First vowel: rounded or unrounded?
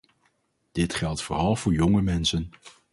unrounded